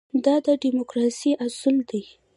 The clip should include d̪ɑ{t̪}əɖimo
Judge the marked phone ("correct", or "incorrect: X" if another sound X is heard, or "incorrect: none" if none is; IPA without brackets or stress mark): incorrect: d̪